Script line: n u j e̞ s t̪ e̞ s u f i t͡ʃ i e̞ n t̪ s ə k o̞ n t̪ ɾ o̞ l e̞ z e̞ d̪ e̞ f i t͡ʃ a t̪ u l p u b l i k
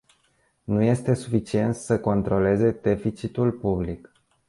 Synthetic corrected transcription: n u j e̞ s t̪ e̞ s u f i t͡ʃ i e̞ n t̪ s ə k o̞ n t̪ ɾ o̞ l e̞ z e̞ d̪ e̞ f i t͡ʃ i t̪ u l p u b l i k